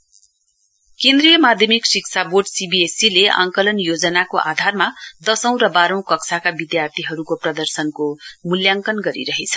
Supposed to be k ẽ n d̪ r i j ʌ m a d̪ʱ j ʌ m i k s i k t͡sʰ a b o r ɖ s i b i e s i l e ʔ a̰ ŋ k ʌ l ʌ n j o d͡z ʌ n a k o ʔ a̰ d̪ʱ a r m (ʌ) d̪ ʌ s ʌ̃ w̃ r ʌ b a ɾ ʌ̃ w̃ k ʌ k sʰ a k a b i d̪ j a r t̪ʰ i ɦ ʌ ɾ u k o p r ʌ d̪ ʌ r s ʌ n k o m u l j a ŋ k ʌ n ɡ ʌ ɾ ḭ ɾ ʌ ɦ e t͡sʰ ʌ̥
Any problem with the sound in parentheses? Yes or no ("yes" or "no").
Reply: yes